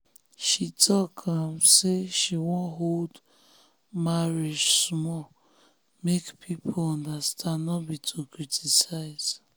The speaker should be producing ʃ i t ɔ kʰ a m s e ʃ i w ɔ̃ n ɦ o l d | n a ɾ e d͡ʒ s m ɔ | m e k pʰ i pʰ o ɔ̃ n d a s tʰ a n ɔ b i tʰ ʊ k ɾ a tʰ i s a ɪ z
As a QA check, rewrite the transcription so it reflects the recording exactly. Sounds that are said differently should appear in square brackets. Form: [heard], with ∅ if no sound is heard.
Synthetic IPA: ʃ i t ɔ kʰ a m s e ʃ i w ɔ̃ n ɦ o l d | [m] a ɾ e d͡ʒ s m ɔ | m e k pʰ i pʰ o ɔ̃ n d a s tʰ a n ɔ b i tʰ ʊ k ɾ [i] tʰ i s a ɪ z